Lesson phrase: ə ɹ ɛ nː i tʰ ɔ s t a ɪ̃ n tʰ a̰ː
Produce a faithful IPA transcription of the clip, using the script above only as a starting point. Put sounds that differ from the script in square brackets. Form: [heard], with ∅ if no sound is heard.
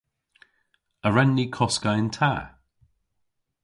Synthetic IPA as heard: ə ɹ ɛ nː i [kʰ] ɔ s [k] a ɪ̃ n tʰ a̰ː